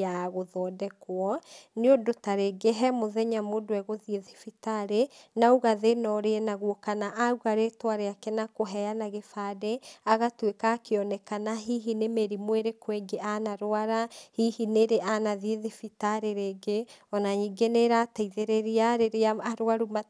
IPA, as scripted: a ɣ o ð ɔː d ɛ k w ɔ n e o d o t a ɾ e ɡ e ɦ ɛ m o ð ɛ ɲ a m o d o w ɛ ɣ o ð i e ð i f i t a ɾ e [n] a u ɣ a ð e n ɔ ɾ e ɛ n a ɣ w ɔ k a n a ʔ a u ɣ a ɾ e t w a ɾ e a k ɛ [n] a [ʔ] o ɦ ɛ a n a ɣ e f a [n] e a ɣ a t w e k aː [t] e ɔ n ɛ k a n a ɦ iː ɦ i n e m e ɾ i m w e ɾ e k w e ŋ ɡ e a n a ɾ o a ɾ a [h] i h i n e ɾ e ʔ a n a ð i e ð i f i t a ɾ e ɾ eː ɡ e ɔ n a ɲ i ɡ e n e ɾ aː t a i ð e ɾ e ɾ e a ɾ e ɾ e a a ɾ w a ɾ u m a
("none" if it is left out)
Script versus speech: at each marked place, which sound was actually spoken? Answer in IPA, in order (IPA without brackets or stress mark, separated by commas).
n, n, k, d, k, h